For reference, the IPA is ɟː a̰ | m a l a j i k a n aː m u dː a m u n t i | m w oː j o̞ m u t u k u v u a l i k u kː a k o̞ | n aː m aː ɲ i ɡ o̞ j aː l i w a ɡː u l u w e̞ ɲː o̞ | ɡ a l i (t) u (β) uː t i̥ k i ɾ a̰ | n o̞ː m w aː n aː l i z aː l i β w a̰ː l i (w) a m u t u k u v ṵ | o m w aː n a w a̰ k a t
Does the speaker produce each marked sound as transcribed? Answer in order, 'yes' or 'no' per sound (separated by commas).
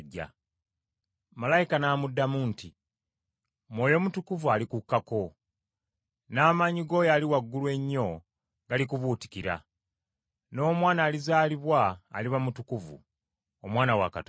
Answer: no, yes, no